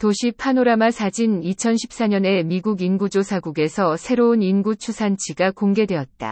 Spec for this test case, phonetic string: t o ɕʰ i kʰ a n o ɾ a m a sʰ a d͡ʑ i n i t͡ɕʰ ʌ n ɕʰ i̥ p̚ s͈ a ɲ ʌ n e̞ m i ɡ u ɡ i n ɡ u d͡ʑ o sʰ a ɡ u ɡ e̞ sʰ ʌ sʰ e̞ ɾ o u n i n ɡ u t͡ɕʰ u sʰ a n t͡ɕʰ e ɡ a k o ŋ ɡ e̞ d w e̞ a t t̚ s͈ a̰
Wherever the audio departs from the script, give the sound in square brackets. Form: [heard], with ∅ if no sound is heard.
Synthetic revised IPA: t o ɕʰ i [pʰ] a n o ɾ a m a sʰ a d͡ʑ i n i t͡ɕʰ ʌ n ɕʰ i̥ p̚ s͈ a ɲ ʌ n e̞ m i ɡ u ɡ i n ɡ u d͡ʑ o sʰ a ɡ u ɡ e̞ sʰ ʌ sʰ e̞ ɾ o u n i n ɡ u t͡ɕʰ u sʰ a n t͡ɕʰ [i] ɡ a k o ŋ ɡ e̞ d w e̞ [ʌ] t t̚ [t͈] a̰